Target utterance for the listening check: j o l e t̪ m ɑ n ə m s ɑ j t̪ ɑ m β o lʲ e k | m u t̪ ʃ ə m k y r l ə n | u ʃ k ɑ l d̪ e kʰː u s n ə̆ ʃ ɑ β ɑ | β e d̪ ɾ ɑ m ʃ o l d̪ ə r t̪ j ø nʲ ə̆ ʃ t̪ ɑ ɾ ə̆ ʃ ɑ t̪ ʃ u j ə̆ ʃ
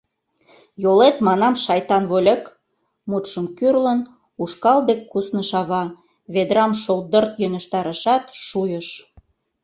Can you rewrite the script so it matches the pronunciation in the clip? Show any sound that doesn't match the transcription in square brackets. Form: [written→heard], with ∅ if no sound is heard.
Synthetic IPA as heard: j o l e t̪ m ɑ n [ə→ɑ] m [s→ʃ] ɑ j t̪ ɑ [m→n] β o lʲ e k | m u t̪ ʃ ə m k y r l ə n | u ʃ k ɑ l d̪ e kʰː u s n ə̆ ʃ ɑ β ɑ | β e d̪ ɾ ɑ m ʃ o l d̪ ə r t̪ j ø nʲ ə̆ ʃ t̪ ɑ ɾ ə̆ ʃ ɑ t̪ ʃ u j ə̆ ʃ